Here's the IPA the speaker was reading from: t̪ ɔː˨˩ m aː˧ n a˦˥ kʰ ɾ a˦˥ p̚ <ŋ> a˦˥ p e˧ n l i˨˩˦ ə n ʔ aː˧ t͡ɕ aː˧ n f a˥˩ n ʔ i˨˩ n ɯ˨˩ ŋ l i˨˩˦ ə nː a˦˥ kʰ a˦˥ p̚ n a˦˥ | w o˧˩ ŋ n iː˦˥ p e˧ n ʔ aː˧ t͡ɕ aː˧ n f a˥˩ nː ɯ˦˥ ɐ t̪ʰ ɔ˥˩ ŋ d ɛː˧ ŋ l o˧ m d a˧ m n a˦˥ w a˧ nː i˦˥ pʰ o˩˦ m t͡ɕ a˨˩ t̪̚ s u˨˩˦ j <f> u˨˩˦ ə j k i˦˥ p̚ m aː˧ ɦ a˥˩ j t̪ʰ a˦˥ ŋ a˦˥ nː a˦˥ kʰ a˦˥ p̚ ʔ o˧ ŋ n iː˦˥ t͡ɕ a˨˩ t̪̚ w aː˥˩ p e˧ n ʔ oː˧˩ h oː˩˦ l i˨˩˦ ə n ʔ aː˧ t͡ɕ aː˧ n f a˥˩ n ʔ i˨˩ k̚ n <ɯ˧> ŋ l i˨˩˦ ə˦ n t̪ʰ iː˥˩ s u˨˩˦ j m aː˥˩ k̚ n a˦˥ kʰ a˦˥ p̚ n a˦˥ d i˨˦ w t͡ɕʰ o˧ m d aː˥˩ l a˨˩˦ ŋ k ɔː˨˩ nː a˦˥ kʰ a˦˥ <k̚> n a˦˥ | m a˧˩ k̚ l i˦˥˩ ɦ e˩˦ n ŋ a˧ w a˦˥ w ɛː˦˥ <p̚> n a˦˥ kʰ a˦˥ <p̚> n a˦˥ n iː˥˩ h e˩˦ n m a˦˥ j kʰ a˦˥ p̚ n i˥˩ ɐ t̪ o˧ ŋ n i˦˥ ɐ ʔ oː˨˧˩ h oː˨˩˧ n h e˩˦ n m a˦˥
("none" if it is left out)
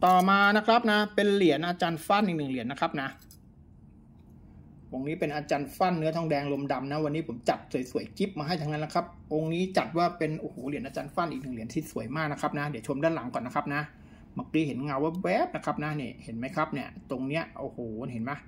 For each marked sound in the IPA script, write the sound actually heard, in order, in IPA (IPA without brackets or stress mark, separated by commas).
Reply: n, s, ɯ˨˩, p̚, p̚, p̚